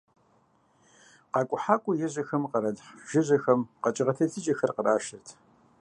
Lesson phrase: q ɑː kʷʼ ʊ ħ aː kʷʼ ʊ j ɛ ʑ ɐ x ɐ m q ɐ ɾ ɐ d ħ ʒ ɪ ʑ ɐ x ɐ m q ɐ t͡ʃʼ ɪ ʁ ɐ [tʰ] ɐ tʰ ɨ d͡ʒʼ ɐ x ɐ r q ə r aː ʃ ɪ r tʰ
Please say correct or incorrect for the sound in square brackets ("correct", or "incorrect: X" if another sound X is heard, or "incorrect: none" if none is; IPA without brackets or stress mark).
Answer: correct